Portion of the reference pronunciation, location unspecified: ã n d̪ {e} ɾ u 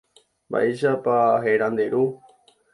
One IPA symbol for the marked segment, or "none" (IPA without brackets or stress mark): e